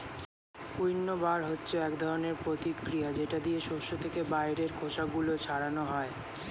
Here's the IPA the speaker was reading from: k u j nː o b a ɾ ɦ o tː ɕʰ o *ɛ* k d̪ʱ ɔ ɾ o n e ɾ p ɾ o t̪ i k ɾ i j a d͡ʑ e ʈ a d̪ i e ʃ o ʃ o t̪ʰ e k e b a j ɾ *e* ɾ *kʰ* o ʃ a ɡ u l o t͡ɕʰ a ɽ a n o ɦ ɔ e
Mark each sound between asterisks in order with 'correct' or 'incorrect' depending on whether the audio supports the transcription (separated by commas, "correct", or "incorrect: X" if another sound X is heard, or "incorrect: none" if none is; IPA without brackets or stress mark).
correct, correct, correct